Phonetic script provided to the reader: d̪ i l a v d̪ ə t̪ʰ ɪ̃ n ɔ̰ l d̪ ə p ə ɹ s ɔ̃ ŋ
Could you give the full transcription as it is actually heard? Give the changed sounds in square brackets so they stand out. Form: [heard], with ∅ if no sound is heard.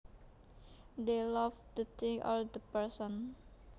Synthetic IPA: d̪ [e] l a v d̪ ə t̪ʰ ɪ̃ [ŋ] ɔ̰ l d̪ ə p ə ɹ s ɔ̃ [n]

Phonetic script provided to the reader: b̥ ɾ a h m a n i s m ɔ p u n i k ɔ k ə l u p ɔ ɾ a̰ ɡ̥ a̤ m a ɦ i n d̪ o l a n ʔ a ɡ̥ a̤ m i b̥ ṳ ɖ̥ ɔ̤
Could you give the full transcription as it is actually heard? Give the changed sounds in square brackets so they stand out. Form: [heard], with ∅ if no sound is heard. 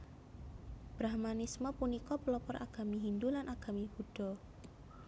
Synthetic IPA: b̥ ɾ a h m a n i s m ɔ p u n i k ɔ [p] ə l [ɔ] p ɔ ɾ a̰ ɡ̥ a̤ m [i] ɦ i n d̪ [u] l a n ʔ a ɡ̥ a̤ m i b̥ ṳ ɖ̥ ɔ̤

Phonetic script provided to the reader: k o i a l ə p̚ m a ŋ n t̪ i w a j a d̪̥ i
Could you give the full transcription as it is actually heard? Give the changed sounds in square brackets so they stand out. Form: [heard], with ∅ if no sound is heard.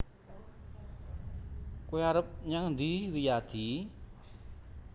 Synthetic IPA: k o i a [ɾ] ə p̚ [ɲ] a ŋ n [d̪] i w [i] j a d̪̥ i

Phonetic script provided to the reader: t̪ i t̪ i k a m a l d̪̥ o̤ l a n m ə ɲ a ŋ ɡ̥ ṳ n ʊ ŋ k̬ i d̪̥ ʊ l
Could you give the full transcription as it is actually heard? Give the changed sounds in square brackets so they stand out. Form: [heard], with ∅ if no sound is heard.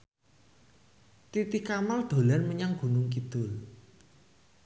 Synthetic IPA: t̪ i t̪ i k a m a l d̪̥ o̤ l a n m ə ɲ a ŋ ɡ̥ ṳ n ʊ ŋ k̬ i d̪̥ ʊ l

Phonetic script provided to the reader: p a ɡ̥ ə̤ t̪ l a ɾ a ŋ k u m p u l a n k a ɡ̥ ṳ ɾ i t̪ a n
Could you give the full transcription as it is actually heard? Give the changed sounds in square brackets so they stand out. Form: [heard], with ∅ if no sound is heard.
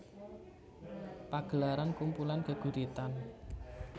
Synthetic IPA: p a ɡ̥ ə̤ [∅] l a ɾ a [n] k u m p u l a n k [ə] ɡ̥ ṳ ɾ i t̪ a n

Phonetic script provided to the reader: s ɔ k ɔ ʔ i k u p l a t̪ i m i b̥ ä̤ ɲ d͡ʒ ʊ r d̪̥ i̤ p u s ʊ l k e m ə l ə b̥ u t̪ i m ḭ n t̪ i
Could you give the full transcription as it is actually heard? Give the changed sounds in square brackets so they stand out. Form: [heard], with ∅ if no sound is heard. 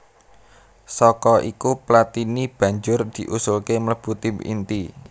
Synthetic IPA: s ɔ k ɔ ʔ i k u p l a t̪ i [n] i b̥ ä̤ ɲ d͡ʒ ʊ r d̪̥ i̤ [ʔ] u s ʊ l k e m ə l ə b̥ u t̪ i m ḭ n t̪ i

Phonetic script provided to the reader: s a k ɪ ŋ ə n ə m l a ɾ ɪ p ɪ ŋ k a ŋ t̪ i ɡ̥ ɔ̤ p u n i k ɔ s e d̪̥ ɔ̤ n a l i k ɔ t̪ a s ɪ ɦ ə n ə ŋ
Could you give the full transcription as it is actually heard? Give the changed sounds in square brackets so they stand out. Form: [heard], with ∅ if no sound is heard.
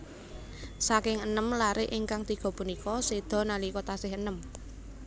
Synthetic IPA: s a k ɪ ŋ ə n ə m l a ɾ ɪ [ʔ] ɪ ŋ k a ŋ t̪ i ɡ̥ ɔ̤ p u n i k ɔ s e d̪̥ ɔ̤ n a l i k ɔ t̪ a s ɪ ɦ ə n ə [m]

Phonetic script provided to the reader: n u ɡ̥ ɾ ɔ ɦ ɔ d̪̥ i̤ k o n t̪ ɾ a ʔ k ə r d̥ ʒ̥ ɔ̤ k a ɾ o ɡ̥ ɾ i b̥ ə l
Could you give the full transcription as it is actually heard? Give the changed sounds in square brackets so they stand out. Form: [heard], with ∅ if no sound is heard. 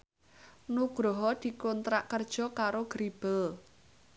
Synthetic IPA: n u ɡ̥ ɾ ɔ ɦ ɔ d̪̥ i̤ k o n t̪ ɾ a ʔ k ə r d̥ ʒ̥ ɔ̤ k a ɾ o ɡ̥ ɾ i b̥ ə l

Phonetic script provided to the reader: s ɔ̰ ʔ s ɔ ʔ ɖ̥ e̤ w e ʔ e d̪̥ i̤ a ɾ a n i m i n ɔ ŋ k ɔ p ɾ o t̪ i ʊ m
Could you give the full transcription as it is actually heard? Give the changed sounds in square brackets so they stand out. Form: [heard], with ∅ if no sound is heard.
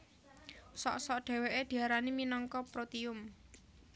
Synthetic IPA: s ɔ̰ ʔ s ɔ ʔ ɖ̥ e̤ w e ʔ e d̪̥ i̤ a ɾ a n i m i n ɔ ŋ k ɔ p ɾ o t̪ i ʊ m

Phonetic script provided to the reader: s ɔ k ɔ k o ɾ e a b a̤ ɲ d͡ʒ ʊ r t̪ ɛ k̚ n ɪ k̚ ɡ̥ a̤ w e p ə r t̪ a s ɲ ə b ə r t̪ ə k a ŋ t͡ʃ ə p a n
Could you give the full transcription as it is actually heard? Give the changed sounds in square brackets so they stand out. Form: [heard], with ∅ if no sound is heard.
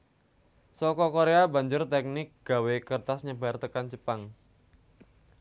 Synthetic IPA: s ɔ k ɔ k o ɾ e a b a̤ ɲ d͡ʒ ʊ r t̪ ɛ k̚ n ɪ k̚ ɡ̥ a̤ w e [k] ə r t̪ a s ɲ ə b [a] r t̪ ə k a [n] t͡ʃ ə p a [ŋ]

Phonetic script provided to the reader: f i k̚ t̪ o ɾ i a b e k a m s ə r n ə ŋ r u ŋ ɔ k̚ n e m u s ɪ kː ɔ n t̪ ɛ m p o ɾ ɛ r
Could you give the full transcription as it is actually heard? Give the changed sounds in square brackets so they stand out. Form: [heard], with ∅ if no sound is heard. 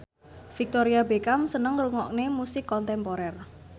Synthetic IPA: f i k̚ t̪ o ɾ i a b e k a m s ə [∅] n ə ŋ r u ŋ ɔ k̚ n e m u s ɪ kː ɔ n t̪ ɛ m p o ɾ ɛ r

